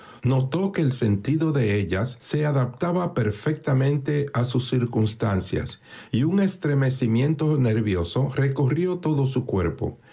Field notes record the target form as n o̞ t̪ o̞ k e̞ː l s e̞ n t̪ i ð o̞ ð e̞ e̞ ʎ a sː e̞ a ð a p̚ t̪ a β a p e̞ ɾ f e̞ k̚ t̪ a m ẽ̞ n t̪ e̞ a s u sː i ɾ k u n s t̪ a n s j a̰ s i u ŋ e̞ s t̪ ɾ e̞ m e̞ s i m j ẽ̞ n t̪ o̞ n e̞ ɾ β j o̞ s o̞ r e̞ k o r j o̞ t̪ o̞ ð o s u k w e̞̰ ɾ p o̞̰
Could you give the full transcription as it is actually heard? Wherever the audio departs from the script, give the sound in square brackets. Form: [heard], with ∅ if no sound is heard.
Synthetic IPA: n o̞ t̪ o̞ k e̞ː l s e̞ n t̪ i ð o̞ ð e̞ e̞ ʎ a sː e̞ a ð a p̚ t̪ a β a p e̞ ɾ f e̞ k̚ t̪ a m ẽ̞ n t̪ e̞ a s u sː i ɾ k u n s t̪ a n s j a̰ s i u ŋ e̞ s t̪ ɾ e̞ m e̞ s i m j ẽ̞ n t̪ o̞ n e̞ ɾ β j o̞ s o̞ r e̞ k o r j o̞ t̪ o̞ ð o s u k w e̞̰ ɾ p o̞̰